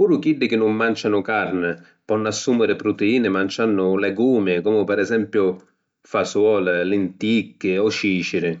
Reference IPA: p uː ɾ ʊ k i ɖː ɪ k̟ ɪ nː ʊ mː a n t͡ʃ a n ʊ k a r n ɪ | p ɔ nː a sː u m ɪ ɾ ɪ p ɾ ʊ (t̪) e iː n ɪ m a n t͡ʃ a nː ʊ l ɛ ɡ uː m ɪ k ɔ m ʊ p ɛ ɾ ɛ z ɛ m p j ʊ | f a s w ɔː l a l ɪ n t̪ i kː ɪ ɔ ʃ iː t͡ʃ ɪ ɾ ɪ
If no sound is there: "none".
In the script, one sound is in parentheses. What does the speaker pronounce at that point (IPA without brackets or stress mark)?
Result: t̪